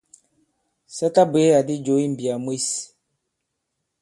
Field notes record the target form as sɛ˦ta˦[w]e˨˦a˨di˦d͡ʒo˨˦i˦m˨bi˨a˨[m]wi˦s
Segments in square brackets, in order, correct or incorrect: incorrect, correct

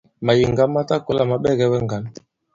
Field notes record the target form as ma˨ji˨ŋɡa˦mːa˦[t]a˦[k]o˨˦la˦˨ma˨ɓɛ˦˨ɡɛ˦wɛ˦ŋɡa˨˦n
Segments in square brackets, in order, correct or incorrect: correct, correct

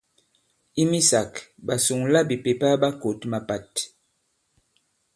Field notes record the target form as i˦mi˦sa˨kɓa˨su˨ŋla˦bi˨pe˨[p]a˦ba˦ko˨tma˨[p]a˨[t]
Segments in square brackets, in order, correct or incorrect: correct, correct, correct

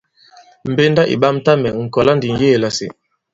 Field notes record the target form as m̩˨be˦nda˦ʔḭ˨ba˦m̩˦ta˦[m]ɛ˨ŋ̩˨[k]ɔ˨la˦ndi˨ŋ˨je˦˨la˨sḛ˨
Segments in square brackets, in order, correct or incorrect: correct, correct

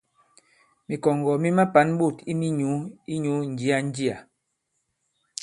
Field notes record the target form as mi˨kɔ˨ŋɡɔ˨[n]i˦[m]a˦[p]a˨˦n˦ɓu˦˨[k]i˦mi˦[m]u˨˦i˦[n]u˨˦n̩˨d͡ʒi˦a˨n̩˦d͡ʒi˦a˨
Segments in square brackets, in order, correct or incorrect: incorrect, correct, correct, incorrect, incorrect, incorrect

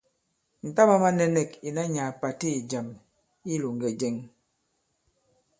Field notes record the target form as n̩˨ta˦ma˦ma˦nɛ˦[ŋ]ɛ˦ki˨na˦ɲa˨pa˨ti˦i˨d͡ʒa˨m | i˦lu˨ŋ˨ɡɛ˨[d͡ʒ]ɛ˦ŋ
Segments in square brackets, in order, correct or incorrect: incorrect, correct

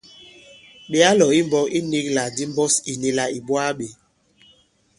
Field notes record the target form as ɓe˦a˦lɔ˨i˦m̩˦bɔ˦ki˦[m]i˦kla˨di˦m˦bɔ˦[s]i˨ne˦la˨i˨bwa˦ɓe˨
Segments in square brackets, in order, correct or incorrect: incorrect, correct

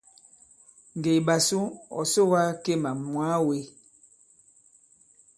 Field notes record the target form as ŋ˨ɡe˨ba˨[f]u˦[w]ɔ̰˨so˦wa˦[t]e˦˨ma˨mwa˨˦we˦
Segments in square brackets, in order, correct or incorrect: incorrect, incorrect, incorrect

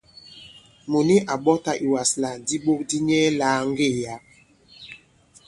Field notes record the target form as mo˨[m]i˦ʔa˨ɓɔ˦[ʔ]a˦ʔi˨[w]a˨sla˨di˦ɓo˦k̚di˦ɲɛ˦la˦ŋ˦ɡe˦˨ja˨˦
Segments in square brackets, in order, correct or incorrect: incorrect, incorrect, correct

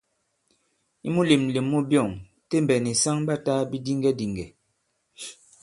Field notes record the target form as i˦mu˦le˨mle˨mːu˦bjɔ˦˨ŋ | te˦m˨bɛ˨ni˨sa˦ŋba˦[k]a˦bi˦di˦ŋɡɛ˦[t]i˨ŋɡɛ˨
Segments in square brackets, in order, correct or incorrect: incorrect, incorrect

